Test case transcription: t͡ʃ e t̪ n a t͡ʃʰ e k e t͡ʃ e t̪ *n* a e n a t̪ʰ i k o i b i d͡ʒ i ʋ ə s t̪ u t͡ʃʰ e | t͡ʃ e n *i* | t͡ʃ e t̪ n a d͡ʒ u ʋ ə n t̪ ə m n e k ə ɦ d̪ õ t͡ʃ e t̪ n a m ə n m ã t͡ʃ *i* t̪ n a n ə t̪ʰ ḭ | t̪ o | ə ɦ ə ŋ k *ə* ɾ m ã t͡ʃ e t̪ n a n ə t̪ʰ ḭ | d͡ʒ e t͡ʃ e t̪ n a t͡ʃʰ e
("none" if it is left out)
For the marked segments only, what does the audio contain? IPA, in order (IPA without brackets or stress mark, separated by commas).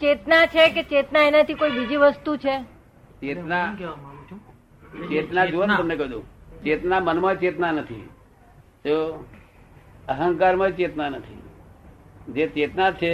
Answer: n, a, e, a